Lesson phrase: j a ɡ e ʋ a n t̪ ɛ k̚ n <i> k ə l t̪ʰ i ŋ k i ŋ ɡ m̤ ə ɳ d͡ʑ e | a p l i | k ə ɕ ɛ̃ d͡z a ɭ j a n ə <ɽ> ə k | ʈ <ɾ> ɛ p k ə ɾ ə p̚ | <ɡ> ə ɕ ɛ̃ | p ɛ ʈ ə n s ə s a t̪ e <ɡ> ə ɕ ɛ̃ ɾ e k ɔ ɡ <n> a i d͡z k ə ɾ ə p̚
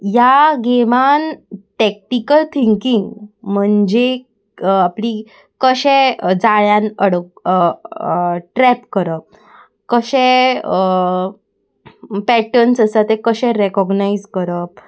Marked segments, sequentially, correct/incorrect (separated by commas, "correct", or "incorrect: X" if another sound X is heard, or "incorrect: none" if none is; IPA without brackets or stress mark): correct, correct, correct, incorrect: k, incorrect: k, correct